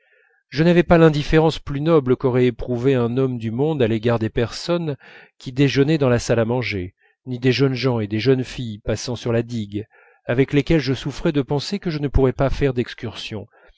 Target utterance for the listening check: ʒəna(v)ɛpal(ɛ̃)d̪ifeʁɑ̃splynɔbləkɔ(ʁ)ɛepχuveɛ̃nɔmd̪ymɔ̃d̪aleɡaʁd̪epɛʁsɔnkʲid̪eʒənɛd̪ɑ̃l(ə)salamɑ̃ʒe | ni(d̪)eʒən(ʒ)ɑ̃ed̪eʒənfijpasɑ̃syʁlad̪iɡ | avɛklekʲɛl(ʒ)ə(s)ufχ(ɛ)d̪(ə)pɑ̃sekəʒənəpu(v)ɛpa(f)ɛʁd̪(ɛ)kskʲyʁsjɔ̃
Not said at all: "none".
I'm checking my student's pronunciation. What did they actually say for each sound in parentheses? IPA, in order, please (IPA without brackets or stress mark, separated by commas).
v, ɛ̃, ʁ, a, d̪, ʒ, ʒ, s, ɛ, ə, ʁ, f, ɛ